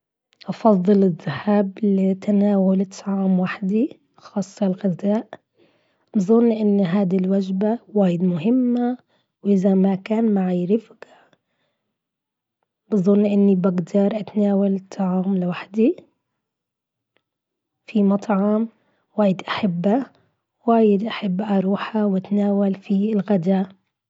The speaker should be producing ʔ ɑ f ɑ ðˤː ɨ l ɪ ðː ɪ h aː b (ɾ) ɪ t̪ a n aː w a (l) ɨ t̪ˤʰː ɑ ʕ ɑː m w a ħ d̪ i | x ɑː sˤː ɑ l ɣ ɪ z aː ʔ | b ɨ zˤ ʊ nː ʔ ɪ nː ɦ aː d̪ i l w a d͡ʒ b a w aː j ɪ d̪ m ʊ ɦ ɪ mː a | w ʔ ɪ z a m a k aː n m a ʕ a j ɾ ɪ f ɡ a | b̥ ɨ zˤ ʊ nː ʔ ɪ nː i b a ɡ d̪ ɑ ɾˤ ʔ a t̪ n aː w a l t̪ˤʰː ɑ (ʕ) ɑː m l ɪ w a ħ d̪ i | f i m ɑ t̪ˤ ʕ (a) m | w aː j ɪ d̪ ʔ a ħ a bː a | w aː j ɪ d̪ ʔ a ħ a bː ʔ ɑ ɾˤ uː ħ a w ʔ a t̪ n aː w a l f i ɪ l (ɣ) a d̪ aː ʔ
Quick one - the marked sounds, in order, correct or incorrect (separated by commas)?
incorrect, correct, correct, incorrect, correct